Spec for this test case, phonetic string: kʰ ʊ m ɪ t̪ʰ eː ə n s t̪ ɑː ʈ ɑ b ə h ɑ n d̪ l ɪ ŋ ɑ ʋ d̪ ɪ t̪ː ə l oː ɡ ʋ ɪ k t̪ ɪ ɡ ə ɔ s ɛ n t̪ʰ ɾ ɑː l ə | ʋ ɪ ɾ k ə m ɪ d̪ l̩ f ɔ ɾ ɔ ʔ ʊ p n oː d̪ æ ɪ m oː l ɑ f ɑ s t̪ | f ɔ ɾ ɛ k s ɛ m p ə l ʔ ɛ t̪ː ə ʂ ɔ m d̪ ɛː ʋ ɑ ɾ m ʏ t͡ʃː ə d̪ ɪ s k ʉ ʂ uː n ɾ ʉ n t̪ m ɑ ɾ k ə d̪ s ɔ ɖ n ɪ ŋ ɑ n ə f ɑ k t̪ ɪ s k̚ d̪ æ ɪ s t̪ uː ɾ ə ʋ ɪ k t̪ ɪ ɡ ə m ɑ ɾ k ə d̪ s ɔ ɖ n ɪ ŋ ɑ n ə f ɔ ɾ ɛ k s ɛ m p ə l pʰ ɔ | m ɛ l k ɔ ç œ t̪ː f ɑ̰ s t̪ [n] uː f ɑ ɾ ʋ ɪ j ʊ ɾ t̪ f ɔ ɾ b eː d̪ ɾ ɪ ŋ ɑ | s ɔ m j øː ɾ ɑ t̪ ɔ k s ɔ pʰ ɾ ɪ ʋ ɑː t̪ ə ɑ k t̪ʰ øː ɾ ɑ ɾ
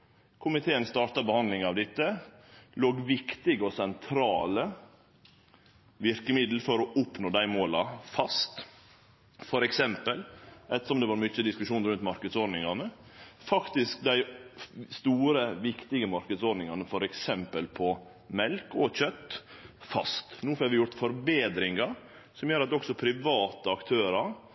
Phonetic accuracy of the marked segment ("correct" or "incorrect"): correct